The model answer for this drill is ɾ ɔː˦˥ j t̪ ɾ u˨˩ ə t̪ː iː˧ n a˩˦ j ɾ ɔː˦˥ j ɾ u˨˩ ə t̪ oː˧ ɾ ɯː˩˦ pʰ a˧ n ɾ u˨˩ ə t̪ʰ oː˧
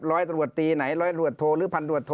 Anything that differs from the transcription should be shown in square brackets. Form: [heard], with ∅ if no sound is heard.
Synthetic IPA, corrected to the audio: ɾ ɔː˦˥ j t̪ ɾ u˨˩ ə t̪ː iː˧ n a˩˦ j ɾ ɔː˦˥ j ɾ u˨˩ ə [t̪ʰ] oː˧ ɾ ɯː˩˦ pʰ a˧ n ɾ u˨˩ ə t̪ʰ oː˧